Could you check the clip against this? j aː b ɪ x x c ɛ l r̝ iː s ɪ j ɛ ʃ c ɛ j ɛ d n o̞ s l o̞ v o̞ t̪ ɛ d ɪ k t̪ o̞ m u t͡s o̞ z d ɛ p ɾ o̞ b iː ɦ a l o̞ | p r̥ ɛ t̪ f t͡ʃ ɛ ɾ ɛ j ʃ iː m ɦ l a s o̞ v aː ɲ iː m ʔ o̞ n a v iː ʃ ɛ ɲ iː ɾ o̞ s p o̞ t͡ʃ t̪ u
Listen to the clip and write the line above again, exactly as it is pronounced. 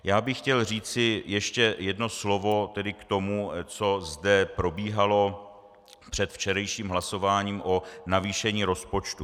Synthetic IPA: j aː b ɪ x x c ɛ l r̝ iː t͡s ɪ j ɛ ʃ c ɛ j ɛ d n o̞ s l o̞ v o̞ t̪ ɛ d ɪ k t̪ o̞ m u t͡s o̞ z d ɛ p ɾ o̞ b iː ɦ a l o̞ | p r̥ ɛ t̪ f t͡ʃ ɛ ɾ ɛ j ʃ iː m ɦ l a s o̞ v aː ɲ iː m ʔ o̞ n a v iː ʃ ɛ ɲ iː ɾ o̞ s p o̞ t͡ʃ t̪ u